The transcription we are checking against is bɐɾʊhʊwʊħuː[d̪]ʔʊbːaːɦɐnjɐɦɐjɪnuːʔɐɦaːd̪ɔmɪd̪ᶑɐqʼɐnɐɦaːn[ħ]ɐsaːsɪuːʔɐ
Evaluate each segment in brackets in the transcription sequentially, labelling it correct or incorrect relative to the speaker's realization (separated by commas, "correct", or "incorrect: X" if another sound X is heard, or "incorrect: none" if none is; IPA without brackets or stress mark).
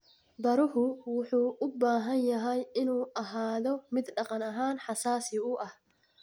incorrect: none, correct